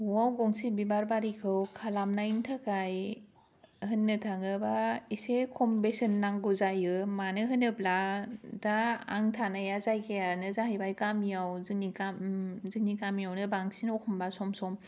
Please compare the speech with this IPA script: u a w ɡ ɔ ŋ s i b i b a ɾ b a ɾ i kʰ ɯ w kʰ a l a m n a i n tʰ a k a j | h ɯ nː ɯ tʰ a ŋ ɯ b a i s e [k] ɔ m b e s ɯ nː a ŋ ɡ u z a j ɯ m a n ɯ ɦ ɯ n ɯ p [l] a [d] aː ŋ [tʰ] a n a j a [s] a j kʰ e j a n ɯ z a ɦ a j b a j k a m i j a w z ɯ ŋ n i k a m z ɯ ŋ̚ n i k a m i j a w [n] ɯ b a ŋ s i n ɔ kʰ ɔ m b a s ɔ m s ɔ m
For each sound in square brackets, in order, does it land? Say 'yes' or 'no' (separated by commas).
no, yes, yes, yes, no, yes